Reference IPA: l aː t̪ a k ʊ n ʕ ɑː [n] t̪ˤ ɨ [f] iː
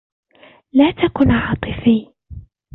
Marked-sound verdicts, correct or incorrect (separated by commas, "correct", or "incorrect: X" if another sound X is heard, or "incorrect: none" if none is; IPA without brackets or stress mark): incorrect: none, correct